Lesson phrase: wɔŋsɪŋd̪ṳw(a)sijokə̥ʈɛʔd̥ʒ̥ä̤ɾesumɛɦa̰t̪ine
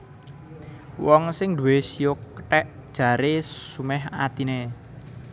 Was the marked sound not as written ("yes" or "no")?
yes